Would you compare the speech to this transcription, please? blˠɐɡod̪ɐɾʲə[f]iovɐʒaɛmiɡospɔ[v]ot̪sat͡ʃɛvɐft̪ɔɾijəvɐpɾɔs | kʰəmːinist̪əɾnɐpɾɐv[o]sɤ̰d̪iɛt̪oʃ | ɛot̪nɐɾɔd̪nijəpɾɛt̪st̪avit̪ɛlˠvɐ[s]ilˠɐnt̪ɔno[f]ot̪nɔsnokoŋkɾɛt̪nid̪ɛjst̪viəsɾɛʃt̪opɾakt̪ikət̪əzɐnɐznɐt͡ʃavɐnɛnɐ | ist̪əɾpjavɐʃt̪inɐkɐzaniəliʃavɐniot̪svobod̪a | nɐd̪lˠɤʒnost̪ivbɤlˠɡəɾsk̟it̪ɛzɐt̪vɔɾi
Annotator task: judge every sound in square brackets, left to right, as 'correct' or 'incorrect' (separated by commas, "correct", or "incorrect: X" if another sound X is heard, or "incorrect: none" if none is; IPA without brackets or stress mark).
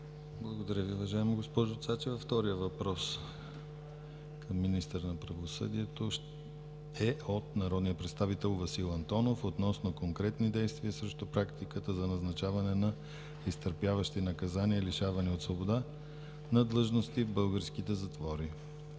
incorrect: v, incorrect: ʒ, correct, correct, correct